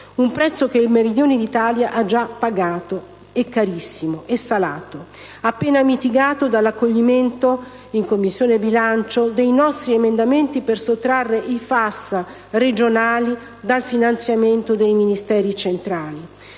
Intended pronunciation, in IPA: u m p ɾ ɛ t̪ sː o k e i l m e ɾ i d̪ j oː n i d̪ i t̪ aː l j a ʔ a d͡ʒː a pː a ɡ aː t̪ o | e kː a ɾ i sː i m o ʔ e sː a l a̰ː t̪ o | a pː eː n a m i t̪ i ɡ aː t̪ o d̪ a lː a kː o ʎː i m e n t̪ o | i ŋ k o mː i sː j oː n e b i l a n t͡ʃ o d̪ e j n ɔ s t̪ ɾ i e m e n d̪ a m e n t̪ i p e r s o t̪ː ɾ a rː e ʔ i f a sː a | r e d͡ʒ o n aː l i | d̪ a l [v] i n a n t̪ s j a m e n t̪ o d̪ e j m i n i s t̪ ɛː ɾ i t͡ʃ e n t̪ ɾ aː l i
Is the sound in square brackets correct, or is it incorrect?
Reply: incorrect